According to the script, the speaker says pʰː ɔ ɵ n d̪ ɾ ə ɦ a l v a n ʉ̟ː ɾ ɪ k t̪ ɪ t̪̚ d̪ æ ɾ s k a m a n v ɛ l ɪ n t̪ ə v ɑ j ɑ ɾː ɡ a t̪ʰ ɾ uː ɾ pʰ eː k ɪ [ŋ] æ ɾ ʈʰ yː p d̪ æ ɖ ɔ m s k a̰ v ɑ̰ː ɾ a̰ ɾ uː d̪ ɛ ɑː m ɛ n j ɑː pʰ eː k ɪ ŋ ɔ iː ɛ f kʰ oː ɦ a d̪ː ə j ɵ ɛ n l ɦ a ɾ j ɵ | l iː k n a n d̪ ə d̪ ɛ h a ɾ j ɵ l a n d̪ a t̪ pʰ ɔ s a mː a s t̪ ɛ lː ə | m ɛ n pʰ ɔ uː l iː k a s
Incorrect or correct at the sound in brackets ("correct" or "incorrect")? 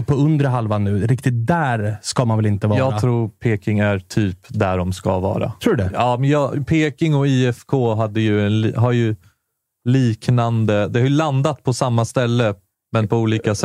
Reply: correct